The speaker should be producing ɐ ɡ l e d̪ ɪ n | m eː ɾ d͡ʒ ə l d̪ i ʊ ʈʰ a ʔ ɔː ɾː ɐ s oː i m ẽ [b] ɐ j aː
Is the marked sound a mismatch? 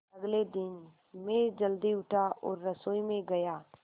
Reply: yes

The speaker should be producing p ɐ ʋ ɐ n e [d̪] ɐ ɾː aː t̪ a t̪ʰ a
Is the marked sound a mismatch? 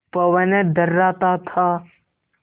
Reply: no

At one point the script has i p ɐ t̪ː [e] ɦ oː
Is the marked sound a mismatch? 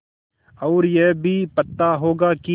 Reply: yes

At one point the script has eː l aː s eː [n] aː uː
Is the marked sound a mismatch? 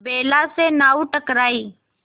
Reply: no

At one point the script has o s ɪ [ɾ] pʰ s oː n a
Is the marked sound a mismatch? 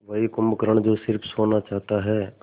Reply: no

